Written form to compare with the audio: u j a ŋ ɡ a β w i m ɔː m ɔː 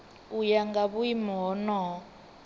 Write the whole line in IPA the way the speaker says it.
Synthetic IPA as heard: u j a ŋ ɡ a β u i m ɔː n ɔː